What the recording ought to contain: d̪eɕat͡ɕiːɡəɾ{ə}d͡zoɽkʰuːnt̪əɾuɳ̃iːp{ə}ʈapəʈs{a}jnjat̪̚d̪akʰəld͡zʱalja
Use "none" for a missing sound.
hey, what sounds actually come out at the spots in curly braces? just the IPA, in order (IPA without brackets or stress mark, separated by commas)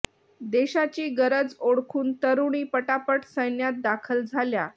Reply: ə, ə, ə